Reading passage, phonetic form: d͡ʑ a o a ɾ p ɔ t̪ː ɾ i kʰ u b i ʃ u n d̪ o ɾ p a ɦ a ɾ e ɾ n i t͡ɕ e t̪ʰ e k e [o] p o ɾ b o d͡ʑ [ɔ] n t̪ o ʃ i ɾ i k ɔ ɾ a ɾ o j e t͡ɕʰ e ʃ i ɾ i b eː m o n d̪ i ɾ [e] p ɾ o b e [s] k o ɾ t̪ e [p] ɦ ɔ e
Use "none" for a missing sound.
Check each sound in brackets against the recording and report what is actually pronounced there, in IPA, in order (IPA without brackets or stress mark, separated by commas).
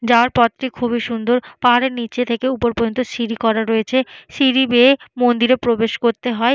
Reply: u, o, e, ʃ, none